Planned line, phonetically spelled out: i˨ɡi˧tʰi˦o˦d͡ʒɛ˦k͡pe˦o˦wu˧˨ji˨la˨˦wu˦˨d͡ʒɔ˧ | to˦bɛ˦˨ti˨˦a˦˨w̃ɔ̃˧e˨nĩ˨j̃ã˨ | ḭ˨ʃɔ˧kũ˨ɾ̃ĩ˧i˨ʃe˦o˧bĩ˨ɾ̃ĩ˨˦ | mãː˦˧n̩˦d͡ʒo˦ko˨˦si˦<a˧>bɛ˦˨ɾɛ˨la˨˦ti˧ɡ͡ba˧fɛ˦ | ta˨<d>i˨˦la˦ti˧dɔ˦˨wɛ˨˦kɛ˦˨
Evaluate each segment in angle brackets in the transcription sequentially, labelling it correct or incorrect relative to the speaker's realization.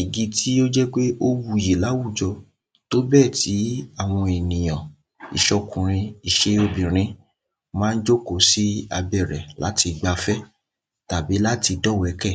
correct, incorrect: b

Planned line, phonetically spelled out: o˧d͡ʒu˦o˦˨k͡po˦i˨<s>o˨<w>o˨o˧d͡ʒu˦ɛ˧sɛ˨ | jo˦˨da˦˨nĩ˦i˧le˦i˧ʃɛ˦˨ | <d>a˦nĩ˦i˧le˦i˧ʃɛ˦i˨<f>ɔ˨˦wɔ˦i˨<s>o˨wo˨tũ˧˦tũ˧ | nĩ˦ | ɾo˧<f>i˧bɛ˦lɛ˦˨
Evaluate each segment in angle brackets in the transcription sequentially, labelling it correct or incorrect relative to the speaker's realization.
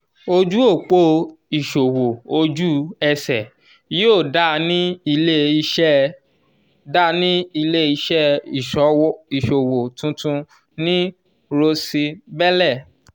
incorrect: ʃ, correct, correct, incorrect: ʃ, incorrect: ʃ, incorrect: s

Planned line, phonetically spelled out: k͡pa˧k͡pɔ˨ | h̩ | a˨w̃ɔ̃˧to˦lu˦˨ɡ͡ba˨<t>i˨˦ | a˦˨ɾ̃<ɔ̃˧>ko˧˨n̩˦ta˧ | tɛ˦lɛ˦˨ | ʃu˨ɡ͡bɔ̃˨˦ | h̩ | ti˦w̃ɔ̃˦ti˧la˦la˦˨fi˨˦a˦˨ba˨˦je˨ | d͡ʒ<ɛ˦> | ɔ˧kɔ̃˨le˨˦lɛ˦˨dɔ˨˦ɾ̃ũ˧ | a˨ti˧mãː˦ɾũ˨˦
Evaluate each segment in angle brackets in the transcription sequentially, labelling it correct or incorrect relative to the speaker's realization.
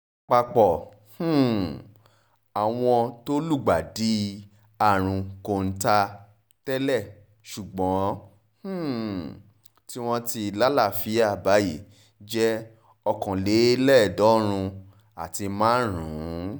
incorrect: d, incorrect: ũ˧, correct

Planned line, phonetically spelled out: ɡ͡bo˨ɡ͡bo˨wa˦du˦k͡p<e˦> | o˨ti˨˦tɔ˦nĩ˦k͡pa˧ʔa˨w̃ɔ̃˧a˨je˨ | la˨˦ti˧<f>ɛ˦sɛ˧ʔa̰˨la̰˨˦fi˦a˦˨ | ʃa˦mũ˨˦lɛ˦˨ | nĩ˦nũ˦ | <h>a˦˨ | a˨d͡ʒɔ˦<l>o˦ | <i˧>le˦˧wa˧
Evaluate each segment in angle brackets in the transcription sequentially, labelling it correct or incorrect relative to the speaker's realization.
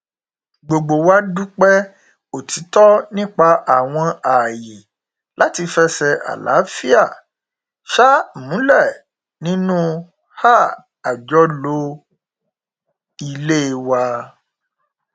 incorrect: ɛ˦, correct, correct, correct, correct

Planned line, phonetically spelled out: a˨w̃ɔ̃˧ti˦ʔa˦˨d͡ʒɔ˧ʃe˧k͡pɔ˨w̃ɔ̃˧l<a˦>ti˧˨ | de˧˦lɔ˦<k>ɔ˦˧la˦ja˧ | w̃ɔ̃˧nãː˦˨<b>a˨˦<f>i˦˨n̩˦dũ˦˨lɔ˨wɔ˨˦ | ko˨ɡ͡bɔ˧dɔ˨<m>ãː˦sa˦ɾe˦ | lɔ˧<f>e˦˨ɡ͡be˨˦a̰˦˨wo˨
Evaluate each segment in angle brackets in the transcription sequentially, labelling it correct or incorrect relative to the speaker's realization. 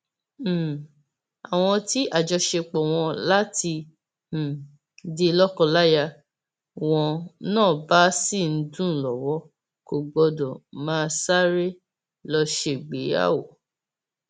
correct, correct, correct, incorrect: s, correct, incorrect: ʃ

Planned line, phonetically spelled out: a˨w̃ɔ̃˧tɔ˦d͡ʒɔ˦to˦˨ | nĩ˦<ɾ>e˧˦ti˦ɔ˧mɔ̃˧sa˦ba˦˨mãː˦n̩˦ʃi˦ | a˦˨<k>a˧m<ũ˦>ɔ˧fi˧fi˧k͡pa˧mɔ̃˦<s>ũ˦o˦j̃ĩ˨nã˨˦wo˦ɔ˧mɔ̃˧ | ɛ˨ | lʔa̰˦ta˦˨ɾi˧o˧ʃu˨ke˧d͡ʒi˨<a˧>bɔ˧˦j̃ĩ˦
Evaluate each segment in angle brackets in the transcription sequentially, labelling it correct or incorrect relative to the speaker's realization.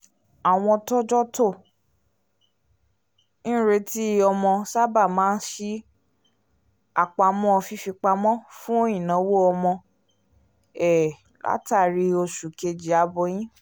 correct, incorrect: k͡p, incorrect: ɔ̃˦, incorrect: f, correct

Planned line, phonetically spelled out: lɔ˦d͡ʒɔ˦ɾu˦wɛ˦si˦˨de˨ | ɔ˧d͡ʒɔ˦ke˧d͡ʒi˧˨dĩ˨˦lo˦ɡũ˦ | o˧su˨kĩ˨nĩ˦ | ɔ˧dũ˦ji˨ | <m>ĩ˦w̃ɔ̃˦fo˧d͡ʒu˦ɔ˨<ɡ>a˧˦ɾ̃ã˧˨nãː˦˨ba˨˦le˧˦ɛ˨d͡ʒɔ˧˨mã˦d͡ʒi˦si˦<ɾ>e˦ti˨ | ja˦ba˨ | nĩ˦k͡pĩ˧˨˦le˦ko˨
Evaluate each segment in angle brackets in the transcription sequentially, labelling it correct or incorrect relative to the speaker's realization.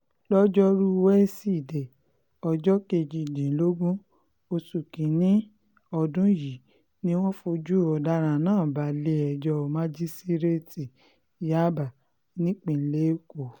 incorrect: n, incorrect: d, correct

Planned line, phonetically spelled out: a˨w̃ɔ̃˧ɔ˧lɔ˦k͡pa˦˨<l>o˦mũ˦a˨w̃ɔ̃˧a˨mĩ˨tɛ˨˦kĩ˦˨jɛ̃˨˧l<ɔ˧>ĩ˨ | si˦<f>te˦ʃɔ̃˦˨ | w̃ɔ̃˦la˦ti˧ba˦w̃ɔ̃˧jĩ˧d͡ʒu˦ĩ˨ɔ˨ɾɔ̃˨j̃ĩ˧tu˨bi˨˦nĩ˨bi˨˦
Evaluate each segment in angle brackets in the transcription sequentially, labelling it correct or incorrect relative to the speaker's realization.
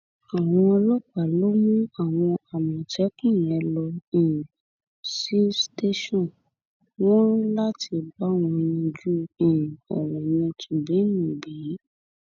correct, correct, incorrect: s

